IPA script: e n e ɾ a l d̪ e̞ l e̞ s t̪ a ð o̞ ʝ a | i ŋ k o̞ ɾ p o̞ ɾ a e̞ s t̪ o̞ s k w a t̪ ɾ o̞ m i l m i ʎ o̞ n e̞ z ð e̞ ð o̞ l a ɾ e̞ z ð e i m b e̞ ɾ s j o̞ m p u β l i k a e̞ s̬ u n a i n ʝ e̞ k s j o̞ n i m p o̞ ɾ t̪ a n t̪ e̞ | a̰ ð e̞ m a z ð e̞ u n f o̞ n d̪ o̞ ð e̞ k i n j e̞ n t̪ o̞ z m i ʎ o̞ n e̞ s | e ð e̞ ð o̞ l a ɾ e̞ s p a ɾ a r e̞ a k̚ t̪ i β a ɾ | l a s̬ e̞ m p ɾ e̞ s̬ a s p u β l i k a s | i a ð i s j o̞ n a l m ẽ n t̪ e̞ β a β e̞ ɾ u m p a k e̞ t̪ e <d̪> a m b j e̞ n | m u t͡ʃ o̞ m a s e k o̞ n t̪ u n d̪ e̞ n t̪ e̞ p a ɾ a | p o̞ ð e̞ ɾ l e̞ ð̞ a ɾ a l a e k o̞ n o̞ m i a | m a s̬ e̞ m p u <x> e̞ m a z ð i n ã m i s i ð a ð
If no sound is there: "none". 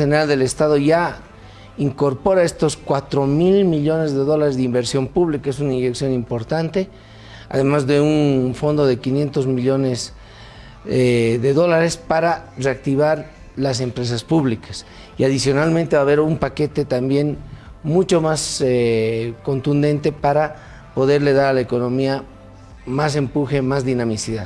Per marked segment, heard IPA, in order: t̪, x

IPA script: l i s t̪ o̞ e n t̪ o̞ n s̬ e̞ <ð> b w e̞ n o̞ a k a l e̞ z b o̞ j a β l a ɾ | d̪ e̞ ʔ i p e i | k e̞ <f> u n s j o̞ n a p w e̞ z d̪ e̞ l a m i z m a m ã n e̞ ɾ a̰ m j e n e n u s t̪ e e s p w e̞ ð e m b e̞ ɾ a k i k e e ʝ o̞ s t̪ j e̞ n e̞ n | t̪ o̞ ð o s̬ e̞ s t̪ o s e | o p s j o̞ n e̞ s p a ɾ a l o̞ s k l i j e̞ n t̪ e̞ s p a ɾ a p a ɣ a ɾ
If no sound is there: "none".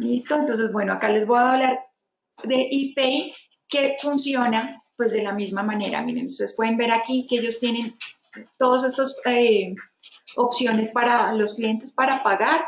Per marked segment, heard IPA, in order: z, f

